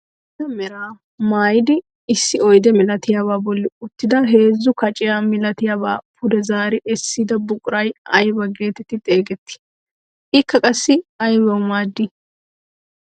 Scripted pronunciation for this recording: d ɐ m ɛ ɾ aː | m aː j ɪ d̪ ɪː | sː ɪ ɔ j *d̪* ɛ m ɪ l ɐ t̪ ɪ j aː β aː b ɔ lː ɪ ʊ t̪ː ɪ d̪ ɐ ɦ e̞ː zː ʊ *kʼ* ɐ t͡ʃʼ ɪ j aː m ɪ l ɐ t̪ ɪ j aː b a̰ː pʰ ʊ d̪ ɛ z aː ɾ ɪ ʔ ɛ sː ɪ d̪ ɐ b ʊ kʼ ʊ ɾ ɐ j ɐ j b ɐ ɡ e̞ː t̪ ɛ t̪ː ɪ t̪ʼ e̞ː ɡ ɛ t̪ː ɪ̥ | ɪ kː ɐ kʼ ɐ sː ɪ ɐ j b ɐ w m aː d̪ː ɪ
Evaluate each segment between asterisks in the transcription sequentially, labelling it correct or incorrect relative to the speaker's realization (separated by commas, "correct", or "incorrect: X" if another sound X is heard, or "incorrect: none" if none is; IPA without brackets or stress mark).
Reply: correct, incorrect: k